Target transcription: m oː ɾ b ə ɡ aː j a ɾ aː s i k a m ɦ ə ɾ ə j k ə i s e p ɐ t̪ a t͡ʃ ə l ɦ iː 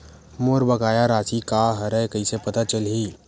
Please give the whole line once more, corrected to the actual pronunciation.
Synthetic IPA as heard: m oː ɾ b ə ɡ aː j a ɾ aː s i k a ɦ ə ɾ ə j k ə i s e p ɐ t̪ a t͡ʃ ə l ɦ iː